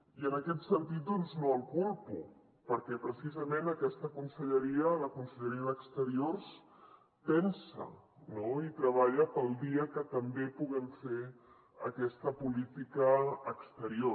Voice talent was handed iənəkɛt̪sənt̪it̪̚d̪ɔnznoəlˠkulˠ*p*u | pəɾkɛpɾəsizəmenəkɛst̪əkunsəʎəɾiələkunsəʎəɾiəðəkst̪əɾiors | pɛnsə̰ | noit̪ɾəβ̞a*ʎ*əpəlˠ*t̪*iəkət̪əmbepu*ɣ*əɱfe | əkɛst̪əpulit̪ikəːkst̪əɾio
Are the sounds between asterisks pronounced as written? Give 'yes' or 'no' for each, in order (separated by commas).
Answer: yes, yes, no, yes